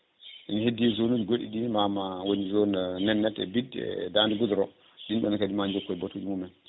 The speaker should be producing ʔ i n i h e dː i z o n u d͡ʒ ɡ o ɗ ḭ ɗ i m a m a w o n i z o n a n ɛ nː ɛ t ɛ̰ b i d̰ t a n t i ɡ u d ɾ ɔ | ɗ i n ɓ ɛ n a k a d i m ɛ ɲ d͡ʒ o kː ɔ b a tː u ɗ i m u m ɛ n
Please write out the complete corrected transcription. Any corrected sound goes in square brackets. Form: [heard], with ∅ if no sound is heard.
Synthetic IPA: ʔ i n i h e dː i z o n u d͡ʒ ɡ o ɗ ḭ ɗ i m a m a w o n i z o n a n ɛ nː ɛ t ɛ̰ b i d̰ [d] a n [d] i ɡ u d ɾ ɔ | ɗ i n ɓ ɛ n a k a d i m [a] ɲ d͡ʒ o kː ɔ b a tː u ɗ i m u m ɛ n